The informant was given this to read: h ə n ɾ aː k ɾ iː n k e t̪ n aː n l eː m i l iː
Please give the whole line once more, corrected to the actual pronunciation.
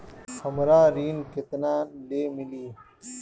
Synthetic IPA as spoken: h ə m ɾ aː ɾ iː n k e t̪ n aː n l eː m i l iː